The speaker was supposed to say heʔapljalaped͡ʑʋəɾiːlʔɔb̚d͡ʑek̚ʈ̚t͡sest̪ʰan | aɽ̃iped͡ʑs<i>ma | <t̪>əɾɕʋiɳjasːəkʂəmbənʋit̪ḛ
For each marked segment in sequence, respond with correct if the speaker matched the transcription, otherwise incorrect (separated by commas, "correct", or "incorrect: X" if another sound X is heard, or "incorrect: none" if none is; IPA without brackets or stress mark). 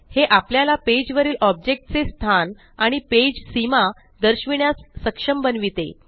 correct, incorrect: d̪